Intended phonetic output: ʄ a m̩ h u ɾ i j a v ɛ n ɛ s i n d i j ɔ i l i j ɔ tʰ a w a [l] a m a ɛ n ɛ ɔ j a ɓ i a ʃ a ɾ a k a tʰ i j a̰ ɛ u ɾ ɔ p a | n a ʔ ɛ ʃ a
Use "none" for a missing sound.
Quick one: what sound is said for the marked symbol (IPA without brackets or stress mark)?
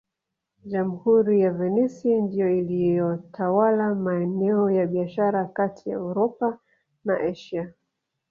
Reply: l